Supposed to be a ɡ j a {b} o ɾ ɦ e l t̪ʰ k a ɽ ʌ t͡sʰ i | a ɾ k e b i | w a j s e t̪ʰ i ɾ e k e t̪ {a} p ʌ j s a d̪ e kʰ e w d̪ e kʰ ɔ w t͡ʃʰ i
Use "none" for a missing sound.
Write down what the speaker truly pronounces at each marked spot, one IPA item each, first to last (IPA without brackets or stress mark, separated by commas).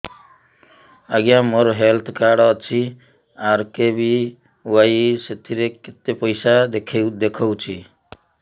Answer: m, e